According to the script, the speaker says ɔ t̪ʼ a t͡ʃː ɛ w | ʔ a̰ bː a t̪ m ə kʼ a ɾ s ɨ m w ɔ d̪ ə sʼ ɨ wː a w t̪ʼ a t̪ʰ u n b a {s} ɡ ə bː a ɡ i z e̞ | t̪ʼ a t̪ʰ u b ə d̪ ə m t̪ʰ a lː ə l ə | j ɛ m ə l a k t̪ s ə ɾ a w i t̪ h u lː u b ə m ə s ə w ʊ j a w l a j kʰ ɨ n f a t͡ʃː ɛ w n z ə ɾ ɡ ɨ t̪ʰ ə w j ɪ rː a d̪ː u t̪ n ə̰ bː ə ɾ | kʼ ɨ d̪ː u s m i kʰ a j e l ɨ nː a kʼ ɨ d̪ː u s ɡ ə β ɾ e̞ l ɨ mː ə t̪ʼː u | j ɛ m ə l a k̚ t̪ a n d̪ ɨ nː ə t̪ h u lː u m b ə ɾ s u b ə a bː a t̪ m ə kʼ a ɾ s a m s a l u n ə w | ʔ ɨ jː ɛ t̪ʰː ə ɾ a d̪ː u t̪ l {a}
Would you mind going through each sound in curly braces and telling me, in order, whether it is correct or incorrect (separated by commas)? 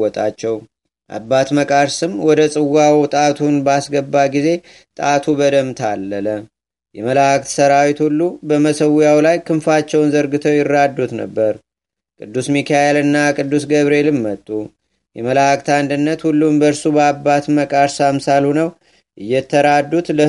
correct, incorrect